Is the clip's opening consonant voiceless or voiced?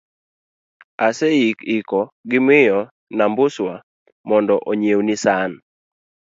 voiceless